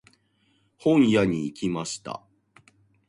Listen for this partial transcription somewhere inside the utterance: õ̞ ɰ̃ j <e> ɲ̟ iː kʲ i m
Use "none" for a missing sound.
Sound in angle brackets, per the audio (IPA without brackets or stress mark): a